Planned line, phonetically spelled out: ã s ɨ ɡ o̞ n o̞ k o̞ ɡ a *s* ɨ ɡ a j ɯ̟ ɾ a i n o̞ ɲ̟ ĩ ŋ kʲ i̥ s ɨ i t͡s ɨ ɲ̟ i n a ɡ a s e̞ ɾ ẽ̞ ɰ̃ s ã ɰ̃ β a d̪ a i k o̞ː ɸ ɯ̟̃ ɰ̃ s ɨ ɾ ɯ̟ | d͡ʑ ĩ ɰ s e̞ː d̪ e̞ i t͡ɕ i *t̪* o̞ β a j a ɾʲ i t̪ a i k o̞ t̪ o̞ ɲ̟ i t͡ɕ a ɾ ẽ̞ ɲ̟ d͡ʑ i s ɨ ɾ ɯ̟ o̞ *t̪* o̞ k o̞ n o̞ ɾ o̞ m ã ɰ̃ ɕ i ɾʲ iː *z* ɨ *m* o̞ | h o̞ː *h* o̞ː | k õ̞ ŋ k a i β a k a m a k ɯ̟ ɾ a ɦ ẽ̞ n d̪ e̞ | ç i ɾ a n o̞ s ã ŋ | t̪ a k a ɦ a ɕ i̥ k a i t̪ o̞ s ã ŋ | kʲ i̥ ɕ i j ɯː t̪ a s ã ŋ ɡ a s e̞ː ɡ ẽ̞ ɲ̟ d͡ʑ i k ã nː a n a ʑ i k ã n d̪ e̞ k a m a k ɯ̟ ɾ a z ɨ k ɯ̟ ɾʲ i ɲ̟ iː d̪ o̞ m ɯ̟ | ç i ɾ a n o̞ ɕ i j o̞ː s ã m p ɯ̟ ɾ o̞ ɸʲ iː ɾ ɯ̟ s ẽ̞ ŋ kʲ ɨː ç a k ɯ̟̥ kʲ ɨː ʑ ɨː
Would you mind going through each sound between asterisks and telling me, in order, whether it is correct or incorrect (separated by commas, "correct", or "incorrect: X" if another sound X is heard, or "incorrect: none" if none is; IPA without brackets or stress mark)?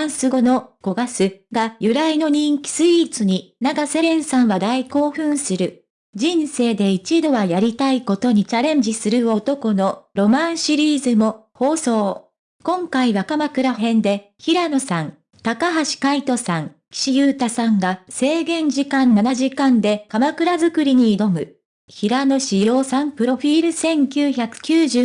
correct, incorrect: d̪, correct, correct, correct, incorrect: s